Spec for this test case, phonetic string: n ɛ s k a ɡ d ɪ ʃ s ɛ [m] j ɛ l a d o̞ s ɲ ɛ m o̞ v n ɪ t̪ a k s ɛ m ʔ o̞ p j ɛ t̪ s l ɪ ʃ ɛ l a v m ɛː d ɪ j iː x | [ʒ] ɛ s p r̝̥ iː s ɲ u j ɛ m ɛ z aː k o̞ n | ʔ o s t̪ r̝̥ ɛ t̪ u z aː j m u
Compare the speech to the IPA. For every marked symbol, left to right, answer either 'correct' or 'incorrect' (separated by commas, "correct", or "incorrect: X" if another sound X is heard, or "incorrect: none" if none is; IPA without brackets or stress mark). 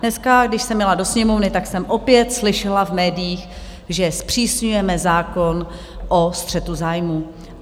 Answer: correct, correct